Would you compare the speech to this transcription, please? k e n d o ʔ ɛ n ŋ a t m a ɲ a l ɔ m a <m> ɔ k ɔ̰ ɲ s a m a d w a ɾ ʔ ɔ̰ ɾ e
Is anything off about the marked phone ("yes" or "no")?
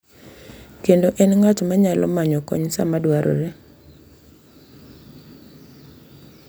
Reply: yes